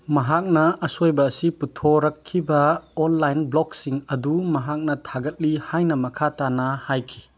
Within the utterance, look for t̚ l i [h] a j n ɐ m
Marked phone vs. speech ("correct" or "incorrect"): correct